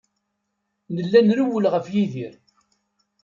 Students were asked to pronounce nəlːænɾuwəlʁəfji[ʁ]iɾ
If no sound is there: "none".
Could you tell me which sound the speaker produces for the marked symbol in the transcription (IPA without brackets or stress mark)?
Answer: ð